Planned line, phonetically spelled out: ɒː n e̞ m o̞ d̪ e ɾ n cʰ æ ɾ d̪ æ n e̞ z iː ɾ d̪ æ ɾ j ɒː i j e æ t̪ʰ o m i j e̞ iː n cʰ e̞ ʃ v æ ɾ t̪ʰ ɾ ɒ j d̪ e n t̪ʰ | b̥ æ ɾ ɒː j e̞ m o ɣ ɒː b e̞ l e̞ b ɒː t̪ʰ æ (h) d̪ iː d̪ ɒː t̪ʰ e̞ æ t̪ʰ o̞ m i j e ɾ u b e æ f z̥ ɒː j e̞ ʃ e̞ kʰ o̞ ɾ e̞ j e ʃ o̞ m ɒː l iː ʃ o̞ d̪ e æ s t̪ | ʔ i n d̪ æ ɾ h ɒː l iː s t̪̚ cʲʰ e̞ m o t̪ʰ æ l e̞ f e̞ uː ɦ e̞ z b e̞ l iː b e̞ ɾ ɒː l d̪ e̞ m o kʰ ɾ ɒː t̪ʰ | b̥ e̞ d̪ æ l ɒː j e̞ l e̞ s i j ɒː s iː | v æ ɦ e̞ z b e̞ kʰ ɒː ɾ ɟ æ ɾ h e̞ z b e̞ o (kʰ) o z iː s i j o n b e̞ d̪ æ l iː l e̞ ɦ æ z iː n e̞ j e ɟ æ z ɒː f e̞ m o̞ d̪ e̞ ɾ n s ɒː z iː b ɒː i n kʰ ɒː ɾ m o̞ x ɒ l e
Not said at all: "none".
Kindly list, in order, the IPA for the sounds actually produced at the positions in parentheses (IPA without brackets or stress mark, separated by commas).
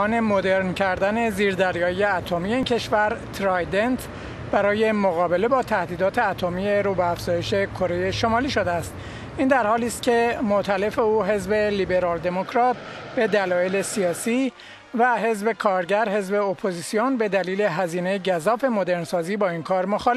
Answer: h, pʰ